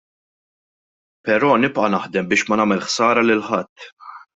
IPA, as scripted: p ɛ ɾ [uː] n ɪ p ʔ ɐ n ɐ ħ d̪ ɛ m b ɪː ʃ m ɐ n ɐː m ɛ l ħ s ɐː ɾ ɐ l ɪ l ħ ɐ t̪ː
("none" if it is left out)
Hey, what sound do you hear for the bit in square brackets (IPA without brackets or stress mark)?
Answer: ɔː